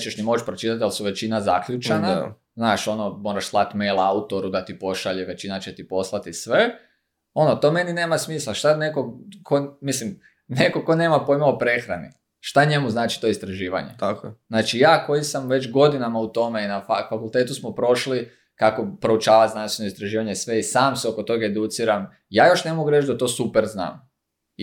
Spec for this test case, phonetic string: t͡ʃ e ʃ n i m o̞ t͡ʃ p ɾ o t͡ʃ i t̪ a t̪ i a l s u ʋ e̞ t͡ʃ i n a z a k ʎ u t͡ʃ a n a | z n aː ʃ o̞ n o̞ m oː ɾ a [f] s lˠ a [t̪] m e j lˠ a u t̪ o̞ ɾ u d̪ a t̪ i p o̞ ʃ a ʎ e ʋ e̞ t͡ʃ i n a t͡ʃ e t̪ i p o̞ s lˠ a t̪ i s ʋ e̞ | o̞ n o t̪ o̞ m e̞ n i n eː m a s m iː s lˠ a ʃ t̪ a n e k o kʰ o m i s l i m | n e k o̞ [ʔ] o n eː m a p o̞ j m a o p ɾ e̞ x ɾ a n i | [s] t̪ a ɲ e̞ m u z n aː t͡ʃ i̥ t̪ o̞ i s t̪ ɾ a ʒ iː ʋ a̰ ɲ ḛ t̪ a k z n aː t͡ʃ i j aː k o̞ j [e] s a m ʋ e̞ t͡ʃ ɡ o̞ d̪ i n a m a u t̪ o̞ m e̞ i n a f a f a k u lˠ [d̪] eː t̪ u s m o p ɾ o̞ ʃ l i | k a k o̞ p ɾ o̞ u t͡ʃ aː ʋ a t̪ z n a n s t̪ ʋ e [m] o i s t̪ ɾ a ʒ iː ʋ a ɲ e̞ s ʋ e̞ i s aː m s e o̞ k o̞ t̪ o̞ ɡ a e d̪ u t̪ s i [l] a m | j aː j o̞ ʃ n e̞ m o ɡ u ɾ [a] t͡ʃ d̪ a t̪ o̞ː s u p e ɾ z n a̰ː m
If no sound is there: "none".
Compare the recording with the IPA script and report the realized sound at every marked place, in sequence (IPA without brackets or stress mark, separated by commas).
ʃ, t̪, k, ʃ, i, t̪, n, ɾ, e